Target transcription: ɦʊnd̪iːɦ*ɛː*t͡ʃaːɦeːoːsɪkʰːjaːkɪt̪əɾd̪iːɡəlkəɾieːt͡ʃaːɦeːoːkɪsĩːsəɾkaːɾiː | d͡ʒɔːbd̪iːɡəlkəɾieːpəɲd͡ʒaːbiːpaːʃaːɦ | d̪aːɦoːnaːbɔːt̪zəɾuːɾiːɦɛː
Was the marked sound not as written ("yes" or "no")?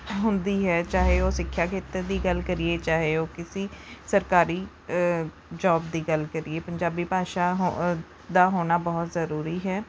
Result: no